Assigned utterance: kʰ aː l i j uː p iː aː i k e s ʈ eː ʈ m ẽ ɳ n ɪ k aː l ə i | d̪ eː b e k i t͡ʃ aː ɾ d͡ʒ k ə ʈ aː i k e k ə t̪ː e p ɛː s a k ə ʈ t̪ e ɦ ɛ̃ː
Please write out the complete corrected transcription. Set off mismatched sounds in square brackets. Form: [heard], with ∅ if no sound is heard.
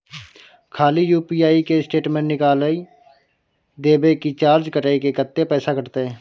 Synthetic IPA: kʰ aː l i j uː p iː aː i k e s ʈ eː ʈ m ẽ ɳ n ɪ k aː l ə i | d̪ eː b e k i t͡ʃ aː ɾ d͡ʒ k ə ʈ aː i k e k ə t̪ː e p ɛː s a k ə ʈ t̪ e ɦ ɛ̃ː